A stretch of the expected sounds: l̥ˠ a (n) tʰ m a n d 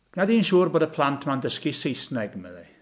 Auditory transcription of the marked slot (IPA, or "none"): n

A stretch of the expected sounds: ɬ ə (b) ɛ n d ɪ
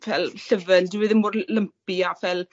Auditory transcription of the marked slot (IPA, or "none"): v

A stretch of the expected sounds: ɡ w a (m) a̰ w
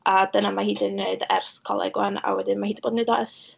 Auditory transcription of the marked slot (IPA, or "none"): n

